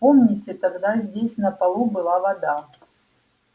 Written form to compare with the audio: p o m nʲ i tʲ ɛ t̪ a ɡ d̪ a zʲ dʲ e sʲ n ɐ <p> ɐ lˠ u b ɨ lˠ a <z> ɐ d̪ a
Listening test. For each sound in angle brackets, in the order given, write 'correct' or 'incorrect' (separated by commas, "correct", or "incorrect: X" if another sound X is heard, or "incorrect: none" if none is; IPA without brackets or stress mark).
correct, incorrect: v